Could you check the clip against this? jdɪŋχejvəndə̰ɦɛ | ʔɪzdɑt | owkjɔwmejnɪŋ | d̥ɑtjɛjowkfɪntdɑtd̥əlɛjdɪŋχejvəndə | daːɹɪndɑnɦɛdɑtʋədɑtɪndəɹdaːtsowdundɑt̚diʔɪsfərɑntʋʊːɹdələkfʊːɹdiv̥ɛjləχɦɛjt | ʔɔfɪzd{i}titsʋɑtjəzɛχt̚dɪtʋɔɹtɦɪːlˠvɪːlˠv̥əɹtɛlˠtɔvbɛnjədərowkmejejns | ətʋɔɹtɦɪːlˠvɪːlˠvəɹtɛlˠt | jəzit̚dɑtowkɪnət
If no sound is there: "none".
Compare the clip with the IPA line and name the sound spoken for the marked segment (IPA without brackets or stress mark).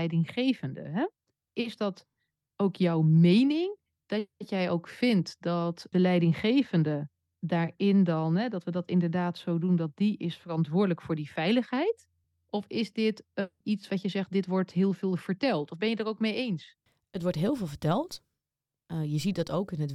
ɪ